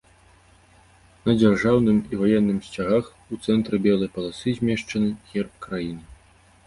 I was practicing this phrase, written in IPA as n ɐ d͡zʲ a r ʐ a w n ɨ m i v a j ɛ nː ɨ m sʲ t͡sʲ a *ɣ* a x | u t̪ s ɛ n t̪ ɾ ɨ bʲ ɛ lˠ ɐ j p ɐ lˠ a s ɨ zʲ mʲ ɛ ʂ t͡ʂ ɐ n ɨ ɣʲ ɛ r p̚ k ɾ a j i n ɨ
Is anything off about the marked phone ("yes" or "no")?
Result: no